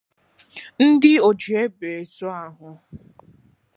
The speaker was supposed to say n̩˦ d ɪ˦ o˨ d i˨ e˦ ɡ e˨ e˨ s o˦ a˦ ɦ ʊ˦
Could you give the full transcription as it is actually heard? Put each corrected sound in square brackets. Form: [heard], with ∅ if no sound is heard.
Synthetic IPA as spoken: n̩˦ d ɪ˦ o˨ [d͡ʒ] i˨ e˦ [b] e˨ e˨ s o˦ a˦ ɦ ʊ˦